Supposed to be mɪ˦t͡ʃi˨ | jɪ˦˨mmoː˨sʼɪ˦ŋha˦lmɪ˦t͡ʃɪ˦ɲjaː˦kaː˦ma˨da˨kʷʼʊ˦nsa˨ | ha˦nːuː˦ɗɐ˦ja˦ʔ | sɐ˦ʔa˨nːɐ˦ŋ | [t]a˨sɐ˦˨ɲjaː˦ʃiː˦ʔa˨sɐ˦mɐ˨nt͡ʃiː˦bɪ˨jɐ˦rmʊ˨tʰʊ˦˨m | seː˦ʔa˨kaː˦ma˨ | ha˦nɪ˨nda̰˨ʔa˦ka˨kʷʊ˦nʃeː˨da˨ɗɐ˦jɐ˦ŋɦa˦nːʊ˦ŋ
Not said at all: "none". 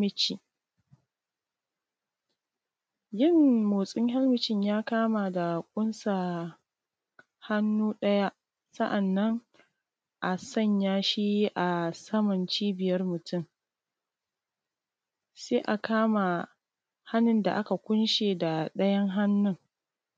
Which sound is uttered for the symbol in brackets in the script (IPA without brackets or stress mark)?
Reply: ʔ